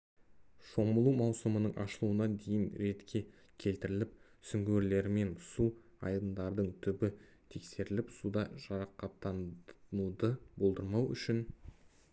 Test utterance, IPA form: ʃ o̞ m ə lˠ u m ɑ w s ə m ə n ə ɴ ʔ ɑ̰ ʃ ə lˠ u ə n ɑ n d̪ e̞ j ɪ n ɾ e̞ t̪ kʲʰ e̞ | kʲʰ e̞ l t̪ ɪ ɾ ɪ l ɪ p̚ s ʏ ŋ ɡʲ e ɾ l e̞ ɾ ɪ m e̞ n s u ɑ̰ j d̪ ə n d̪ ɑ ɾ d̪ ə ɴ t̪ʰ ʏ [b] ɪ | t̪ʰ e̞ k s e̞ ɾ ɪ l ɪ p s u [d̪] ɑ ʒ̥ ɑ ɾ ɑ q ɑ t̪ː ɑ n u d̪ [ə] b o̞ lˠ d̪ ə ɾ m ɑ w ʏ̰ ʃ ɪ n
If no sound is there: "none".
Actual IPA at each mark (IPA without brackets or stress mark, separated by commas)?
b, d̪, ə